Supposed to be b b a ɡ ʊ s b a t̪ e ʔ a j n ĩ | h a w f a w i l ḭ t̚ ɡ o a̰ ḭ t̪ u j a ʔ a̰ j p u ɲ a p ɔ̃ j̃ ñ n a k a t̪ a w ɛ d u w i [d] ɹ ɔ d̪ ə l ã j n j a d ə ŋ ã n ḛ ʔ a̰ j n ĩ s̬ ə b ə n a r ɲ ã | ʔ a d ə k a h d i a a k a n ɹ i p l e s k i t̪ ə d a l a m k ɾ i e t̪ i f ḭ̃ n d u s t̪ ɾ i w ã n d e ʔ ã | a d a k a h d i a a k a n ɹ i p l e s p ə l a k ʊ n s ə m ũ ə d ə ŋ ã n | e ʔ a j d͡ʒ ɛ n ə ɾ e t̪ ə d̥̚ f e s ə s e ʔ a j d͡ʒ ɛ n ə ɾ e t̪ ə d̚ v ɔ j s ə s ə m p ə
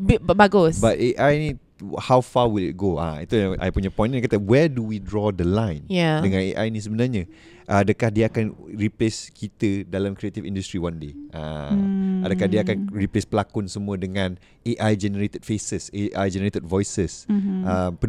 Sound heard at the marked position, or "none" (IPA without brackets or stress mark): d